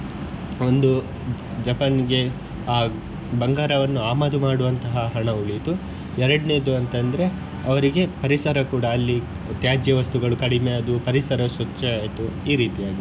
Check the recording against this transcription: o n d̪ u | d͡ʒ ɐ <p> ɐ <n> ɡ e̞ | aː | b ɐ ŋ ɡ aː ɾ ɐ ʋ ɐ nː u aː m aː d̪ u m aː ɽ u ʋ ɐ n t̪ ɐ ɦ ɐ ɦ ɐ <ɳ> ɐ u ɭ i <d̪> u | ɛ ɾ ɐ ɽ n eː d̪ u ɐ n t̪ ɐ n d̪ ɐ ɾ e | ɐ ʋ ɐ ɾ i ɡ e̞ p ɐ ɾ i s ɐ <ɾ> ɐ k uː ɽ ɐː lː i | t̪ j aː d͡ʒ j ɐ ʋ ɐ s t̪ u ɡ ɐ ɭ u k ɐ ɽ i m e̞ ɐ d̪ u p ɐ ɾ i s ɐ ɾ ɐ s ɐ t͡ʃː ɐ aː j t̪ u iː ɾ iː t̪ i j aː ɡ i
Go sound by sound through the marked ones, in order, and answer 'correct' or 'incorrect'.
correct, correct, correct, incorrect: t̪, correct

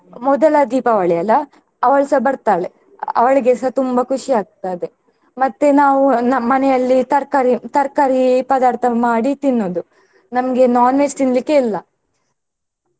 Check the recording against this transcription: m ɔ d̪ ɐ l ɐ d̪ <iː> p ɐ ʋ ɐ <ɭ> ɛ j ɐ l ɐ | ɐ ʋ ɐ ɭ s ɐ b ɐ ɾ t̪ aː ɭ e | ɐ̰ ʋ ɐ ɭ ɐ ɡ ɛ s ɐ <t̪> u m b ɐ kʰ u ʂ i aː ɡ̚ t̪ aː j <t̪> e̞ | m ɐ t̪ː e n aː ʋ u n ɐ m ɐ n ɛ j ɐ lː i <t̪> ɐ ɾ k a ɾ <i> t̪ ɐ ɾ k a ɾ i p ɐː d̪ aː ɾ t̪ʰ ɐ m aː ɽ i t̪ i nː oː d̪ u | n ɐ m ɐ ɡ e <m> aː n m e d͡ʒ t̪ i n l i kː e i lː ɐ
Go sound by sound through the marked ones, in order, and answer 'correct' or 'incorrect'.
correct, correct, correct, incorrect: d̪, correct, correct, incorrect: n

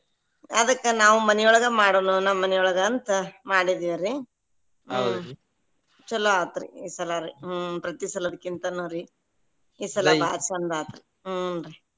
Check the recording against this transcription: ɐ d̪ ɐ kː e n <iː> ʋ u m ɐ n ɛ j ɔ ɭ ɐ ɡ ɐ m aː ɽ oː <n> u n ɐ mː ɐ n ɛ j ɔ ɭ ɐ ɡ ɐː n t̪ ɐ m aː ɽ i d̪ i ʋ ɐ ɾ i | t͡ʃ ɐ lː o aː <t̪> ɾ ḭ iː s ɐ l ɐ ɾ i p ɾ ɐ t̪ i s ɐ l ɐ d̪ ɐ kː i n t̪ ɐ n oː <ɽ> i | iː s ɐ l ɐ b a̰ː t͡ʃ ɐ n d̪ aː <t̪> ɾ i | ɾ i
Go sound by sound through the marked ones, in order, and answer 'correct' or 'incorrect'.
incorrect: aː, correct, correct, incorrect: ɾ, correct

